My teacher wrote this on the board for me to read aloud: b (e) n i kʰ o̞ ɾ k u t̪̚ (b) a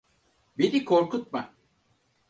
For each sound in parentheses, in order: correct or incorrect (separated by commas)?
correct, incorrect